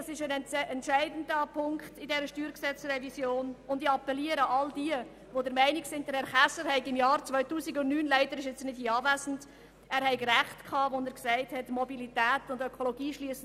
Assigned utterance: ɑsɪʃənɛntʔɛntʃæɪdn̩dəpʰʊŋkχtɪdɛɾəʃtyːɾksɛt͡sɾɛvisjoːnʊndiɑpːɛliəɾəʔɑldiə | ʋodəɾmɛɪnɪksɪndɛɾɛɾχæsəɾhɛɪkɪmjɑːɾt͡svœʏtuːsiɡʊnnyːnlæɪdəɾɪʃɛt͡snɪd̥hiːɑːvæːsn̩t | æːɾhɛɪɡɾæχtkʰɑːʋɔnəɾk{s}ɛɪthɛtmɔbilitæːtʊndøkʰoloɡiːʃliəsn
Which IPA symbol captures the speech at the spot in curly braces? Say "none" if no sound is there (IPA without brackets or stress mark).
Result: s